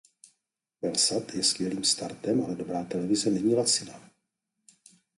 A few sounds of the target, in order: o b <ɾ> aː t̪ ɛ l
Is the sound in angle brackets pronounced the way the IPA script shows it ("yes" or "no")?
yes